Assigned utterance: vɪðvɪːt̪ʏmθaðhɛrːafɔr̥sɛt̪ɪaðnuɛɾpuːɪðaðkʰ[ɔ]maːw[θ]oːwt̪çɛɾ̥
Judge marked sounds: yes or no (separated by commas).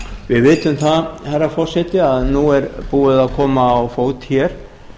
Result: no, no